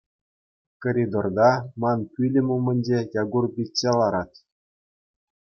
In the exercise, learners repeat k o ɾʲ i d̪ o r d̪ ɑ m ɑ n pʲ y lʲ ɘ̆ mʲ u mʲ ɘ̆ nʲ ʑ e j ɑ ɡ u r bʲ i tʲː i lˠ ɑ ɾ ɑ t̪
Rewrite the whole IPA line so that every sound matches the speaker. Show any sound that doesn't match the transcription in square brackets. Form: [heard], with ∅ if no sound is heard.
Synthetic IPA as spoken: k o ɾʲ i d̪ o r d̪ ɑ m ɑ n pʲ y lʲ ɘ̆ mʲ u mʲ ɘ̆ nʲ [d͡ʑ] e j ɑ ɡ u r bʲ i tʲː [e] lˠ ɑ ɾ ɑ t̪